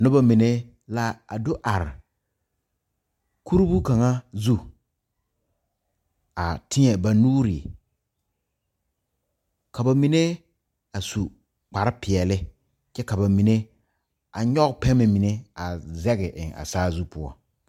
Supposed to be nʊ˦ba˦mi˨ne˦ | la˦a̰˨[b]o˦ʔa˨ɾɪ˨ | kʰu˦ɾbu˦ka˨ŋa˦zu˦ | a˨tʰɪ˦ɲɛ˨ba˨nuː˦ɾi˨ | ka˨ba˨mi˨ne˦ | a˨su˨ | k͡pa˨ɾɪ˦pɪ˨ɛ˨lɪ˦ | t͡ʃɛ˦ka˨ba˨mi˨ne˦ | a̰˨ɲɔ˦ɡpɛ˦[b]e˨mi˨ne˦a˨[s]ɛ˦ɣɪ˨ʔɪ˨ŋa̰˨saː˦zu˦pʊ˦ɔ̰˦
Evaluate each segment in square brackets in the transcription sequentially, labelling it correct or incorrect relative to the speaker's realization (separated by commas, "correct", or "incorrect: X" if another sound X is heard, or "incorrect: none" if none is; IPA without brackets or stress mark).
incorrect: d, incorrect: m, incorrect: z